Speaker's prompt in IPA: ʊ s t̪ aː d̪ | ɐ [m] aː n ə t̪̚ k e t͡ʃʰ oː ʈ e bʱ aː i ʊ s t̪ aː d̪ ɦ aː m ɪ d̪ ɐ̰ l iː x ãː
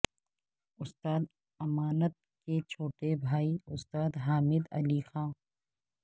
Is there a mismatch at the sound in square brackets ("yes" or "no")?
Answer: no